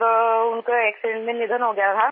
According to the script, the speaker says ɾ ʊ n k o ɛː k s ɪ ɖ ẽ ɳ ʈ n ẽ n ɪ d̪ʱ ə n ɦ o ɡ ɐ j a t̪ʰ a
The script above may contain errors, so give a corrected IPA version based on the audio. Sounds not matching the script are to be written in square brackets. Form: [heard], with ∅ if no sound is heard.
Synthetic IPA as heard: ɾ ʊ n k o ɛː k s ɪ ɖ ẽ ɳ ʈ [m] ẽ n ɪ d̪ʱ ə n ɦ o ɡ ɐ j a t̪ʰ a